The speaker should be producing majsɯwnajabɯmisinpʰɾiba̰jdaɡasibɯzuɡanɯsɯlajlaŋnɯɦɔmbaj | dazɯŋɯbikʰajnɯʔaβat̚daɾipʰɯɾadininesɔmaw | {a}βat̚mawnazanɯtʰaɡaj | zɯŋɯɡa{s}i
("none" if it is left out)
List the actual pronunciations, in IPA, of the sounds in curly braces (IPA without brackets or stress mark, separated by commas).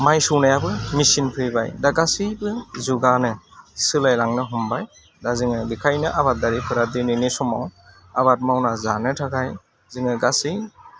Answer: a, s